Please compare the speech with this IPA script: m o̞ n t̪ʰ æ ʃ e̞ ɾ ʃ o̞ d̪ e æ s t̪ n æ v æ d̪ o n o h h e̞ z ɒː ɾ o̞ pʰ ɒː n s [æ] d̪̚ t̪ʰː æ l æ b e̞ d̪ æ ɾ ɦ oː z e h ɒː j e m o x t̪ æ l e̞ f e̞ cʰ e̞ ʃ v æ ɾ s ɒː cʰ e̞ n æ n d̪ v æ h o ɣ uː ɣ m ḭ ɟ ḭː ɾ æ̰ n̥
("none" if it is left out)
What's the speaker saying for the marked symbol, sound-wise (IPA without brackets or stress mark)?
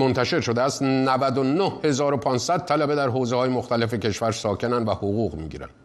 æ